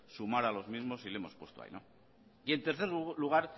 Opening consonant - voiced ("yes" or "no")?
no